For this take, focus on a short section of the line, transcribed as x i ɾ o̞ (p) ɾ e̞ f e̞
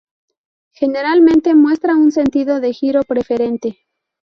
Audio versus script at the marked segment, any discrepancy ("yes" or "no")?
no